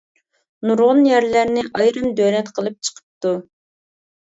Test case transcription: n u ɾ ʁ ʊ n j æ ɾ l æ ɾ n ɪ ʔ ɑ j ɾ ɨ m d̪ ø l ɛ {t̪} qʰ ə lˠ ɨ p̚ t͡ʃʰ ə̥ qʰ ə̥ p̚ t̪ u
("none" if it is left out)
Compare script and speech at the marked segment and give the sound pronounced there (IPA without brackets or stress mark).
t̪